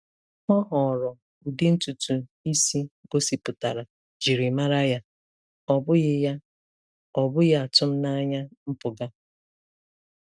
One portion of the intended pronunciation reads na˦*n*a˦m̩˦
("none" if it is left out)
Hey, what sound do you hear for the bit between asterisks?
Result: ɲ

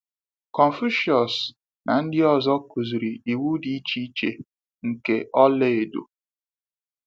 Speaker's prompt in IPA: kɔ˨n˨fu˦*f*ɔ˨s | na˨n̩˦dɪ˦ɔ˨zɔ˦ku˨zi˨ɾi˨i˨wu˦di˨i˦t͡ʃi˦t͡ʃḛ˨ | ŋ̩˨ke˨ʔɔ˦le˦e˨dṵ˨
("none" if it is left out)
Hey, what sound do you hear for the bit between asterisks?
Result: ʃ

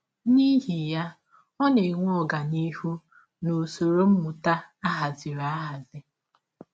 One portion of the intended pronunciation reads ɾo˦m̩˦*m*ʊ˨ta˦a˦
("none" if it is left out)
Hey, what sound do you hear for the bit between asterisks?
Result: m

